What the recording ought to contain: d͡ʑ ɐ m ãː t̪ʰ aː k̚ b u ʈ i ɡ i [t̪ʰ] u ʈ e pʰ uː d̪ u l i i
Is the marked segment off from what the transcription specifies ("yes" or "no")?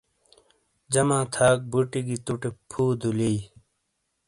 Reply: yes